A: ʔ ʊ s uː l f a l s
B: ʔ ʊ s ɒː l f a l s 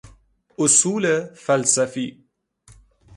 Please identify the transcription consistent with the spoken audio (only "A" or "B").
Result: A